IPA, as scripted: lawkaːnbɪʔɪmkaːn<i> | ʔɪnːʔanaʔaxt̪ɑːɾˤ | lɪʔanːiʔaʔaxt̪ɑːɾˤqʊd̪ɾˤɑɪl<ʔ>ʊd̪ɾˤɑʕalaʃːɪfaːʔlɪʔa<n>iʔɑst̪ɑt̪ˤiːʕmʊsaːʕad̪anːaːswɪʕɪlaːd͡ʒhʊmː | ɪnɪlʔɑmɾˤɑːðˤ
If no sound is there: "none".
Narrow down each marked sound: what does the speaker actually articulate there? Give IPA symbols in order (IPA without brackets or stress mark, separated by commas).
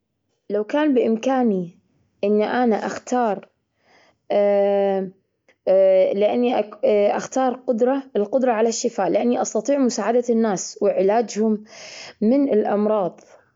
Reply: i, q, nː